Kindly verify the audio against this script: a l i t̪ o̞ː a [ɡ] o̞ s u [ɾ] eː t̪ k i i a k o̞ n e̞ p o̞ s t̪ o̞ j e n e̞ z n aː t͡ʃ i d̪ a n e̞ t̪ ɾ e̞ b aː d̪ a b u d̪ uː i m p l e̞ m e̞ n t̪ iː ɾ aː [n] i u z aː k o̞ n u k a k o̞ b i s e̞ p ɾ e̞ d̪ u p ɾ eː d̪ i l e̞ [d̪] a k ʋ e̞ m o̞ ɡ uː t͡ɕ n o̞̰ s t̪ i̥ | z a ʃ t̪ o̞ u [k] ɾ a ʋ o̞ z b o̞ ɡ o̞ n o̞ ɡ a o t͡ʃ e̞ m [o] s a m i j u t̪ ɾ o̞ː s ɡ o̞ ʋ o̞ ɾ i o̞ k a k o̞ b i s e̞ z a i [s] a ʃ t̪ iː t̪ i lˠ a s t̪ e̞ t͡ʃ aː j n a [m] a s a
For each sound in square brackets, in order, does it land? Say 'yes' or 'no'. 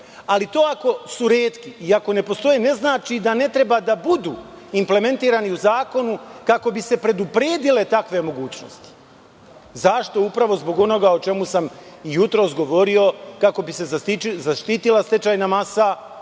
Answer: no, yes, yes, no, no, no, no, yes

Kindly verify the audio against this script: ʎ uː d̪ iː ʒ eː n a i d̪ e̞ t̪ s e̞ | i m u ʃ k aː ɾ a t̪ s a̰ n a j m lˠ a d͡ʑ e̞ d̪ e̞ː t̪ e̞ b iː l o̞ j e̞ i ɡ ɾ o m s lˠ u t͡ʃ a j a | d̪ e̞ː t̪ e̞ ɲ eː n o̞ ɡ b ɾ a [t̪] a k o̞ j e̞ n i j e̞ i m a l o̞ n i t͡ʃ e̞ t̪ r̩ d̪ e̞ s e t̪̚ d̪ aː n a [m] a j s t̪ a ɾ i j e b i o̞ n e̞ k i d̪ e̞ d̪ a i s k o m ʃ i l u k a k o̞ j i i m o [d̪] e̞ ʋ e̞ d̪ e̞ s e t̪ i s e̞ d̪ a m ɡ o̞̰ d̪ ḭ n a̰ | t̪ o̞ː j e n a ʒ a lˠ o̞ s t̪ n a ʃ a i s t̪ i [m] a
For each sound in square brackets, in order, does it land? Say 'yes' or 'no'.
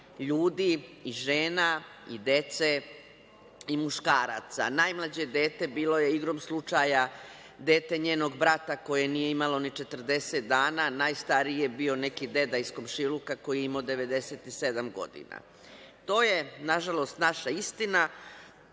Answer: yes, no, yes, no

